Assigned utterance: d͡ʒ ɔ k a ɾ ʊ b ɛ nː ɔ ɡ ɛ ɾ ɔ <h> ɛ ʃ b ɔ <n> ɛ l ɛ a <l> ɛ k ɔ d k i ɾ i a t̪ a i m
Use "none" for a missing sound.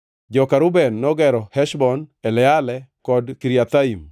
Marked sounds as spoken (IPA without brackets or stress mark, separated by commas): h, n, l